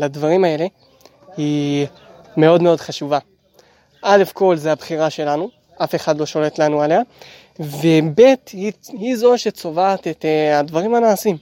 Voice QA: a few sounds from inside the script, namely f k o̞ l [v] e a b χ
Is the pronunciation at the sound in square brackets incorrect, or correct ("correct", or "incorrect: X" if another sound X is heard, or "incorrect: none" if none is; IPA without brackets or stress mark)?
incorrect: z